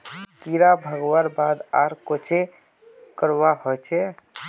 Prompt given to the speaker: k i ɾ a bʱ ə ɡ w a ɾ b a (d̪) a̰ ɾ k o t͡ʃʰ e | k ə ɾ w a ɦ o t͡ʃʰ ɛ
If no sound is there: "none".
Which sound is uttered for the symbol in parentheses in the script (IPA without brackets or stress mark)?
d̪